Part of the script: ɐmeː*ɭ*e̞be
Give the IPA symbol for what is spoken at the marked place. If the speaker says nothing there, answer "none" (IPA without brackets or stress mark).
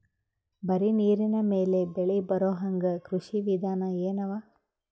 l